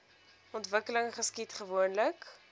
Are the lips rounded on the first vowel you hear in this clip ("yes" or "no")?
yes